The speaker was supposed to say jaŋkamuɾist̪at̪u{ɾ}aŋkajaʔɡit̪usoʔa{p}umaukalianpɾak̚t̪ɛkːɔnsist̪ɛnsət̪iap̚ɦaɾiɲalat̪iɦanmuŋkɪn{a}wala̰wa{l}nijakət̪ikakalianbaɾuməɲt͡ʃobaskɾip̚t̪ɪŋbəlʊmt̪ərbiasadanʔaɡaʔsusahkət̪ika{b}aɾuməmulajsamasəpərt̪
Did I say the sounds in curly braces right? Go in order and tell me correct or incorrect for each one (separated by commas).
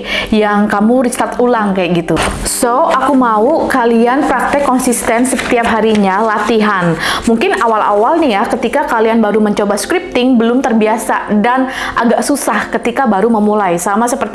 incorrect, incorrect, correct, correct, correct